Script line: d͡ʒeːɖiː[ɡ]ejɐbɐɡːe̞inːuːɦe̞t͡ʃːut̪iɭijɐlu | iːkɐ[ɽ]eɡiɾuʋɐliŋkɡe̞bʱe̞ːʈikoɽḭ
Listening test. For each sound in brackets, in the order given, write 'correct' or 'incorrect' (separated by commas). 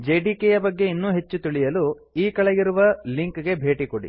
incorrect, incorrect